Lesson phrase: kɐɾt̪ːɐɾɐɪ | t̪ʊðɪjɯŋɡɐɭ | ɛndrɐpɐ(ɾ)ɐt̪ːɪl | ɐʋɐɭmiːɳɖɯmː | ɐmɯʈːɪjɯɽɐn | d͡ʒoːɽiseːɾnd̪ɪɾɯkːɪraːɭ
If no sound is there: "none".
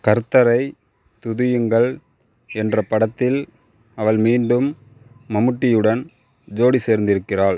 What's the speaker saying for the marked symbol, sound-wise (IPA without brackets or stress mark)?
ɽ